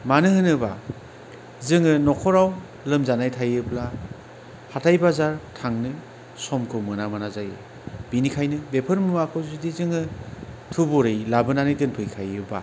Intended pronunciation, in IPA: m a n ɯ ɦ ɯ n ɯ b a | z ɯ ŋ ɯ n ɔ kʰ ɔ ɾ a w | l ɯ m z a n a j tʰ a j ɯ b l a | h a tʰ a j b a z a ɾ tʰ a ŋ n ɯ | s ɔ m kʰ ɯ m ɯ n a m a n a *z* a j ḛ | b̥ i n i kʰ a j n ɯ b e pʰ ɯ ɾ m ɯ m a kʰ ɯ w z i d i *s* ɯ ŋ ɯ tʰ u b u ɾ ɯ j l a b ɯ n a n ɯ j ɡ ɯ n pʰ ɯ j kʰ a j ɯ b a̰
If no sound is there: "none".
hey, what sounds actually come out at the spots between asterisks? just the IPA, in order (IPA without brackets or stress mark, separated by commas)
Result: z, z